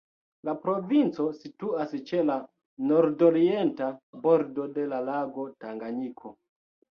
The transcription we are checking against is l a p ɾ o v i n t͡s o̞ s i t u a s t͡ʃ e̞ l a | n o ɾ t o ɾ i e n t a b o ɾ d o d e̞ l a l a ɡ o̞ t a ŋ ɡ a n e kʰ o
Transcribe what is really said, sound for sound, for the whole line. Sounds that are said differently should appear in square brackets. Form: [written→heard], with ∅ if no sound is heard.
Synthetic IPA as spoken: l a p ɾ o v i n t͡s o̞ s i t u a s t͡ʃ e̞ l a | n o ɾ [t→d] o ɾ i e n t a b o ɾ d o d e̞ l a l a ɡ o̞ t a ŋ ɡ a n [e→i] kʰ o